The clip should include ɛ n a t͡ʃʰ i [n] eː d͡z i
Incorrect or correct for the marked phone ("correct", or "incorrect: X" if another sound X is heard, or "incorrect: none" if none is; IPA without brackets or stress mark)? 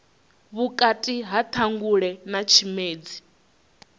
incorrect: m